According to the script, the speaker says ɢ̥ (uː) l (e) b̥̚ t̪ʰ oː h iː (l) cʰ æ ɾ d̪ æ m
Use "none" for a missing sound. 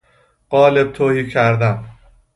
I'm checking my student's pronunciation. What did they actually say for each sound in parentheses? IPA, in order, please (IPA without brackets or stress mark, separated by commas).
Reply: ɒː, e, none